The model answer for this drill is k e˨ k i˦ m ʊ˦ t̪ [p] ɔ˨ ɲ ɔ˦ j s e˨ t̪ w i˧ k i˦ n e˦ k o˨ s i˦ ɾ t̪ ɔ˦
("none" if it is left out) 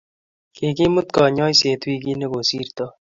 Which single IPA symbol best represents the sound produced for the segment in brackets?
k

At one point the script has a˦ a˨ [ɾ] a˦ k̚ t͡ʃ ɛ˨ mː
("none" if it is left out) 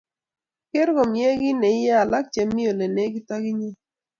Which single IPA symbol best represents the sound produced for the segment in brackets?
l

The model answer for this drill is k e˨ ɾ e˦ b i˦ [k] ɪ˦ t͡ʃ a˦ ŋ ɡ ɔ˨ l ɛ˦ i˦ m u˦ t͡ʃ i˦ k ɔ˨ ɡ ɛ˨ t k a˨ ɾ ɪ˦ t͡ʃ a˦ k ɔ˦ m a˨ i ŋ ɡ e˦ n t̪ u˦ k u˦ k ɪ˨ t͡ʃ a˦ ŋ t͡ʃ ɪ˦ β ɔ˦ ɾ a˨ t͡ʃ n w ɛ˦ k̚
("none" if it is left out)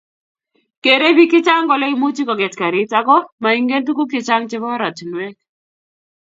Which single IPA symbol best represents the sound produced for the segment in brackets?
k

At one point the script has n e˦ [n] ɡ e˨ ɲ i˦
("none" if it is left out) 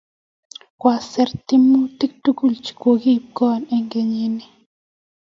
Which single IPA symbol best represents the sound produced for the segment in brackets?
ŋ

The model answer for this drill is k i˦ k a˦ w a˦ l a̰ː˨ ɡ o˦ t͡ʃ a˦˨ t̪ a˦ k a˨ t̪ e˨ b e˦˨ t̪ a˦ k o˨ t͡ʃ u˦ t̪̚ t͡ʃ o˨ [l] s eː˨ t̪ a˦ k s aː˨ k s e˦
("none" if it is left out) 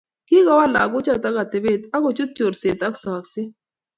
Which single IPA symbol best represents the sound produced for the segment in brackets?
ɾ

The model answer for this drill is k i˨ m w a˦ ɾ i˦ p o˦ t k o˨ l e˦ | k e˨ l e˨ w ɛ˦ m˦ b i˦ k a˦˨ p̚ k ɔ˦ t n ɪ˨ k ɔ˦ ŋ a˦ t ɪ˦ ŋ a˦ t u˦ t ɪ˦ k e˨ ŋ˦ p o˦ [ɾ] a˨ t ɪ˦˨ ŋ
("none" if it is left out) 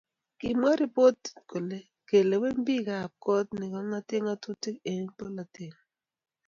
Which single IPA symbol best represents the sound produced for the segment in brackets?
l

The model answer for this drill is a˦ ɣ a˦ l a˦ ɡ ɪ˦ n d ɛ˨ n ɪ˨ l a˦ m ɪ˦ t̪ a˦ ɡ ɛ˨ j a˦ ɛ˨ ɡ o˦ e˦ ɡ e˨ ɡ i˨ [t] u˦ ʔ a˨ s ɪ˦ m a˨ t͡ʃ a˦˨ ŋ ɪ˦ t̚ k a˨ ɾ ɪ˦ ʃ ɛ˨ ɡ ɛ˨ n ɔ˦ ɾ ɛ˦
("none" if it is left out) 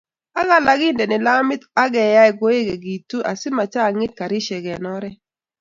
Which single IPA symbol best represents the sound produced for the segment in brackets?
t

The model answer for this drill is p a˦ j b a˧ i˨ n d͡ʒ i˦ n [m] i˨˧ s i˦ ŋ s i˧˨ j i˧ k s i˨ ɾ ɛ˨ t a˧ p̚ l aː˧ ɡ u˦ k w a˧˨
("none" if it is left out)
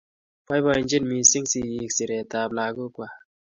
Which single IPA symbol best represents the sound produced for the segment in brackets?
m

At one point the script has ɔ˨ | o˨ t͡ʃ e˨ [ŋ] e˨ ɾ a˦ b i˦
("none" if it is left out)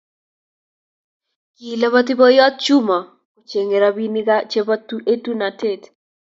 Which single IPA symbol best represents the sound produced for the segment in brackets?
ŋ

